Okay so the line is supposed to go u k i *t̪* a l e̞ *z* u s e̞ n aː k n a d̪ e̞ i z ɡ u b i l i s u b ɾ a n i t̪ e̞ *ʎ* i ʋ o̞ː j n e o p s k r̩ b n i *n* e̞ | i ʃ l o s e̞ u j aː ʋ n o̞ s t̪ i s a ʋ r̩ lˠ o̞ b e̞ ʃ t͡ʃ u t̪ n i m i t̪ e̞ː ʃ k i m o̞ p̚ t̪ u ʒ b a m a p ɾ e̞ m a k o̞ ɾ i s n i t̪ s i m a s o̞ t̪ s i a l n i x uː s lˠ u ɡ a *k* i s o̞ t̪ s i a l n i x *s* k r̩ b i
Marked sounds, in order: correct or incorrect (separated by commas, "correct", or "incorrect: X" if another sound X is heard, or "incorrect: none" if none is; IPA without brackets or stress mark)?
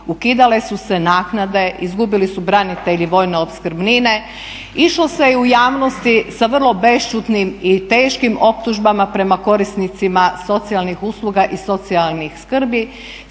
incorrect: d̪, incorrect: s, correct, correct, incorrect: ʔ, correct